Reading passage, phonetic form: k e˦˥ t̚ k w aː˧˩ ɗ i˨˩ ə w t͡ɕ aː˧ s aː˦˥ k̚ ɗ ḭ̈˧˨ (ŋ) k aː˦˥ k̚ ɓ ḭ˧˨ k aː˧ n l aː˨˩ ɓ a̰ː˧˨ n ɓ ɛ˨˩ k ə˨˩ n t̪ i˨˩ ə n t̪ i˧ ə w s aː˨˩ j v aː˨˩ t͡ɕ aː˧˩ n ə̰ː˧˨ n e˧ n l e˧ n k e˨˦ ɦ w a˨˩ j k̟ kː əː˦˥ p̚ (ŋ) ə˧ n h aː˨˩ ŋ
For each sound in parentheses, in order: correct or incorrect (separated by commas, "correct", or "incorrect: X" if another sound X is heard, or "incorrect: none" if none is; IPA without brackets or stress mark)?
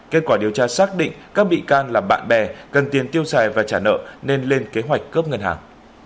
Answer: correct, correct